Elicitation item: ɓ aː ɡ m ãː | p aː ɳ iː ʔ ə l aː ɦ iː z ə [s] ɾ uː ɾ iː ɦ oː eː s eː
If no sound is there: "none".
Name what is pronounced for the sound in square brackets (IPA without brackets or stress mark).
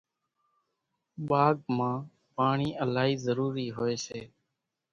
none